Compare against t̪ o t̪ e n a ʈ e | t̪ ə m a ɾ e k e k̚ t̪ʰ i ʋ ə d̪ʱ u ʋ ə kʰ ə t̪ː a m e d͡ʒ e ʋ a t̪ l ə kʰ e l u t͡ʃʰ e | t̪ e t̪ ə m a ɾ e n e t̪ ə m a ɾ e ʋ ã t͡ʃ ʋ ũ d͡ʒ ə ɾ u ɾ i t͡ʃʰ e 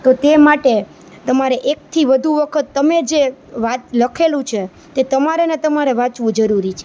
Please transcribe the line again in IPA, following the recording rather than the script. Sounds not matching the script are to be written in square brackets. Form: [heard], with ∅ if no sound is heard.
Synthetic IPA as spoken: t̪ o t̪ e [m] a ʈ e | t̪ ə m a ɾ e [ʔ] e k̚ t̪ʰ i ʋ ə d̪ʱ u ʋ ə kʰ ə t̪ː [ə] m e d͡ʒ e ʋ a t̪ l ə kʰ e l [ũ] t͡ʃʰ e | t̪ e t̪ ə m a ɾ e n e t̪ ə m a ɾ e ʋ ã t͡ʃ ʋ ũ d͡ʒ ə ɾ u ɾ i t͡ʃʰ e